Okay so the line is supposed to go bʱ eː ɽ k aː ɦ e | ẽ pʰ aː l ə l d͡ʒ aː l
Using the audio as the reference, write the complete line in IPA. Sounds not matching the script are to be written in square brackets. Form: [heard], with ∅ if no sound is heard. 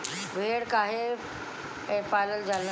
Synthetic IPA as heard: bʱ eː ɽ k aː ɦ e | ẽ [p] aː l ə l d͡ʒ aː l